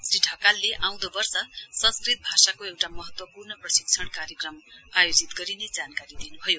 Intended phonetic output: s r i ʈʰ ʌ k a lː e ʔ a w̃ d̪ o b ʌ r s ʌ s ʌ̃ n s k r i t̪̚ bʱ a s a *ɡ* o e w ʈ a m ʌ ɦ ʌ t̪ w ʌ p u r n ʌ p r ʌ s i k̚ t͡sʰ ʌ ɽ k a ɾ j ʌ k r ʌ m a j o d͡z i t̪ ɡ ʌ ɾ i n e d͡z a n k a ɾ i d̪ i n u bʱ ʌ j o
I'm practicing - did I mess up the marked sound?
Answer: yes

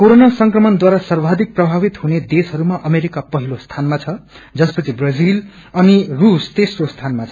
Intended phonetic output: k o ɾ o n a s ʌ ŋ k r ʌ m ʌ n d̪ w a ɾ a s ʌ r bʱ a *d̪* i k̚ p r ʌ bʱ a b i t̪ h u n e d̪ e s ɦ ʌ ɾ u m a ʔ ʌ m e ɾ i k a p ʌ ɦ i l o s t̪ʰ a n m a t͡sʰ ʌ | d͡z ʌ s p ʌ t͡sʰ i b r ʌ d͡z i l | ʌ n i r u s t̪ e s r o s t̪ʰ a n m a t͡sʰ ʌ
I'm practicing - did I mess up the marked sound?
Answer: no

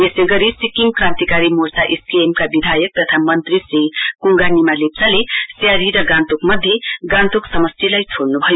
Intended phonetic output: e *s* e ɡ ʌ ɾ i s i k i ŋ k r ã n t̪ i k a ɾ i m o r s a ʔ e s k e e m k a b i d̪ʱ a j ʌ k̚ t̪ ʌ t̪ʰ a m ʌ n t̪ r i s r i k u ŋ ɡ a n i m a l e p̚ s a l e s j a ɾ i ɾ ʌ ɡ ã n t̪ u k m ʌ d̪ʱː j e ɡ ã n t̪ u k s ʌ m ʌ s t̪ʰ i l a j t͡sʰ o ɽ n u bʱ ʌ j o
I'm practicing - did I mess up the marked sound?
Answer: no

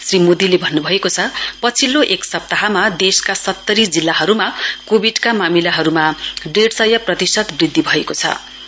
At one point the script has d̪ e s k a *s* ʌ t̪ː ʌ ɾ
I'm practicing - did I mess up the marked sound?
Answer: no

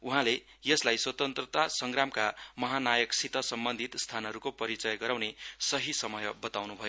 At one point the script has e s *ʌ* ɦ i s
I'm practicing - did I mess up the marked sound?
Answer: no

